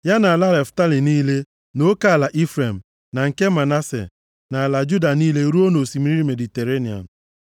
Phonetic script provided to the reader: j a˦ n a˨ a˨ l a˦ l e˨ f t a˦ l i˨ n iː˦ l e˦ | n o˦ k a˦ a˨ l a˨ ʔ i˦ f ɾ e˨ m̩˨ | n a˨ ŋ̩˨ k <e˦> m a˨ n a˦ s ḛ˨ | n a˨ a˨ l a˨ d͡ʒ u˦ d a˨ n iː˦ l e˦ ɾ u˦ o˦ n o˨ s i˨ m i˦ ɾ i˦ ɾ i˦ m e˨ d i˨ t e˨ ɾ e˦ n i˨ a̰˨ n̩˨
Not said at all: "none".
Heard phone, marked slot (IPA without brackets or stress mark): e˦